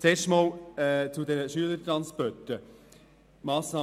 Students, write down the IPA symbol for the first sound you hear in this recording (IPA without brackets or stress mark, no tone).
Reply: t͡s